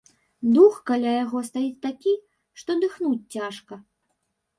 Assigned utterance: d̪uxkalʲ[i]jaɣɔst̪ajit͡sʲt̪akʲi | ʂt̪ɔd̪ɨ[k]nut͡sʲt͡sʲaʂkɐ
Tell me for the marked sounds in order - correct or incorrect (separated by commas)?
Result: incorrect, incorrect